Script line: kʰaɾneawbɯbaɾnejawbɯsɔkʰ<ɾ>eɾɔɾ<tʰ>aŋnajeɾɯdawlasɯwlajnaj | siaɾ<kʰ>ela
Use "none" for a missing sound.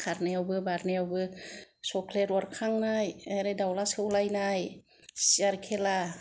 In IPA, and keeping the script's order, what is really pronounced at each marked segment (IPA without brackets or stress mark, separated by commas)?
l, kʰ, kʰ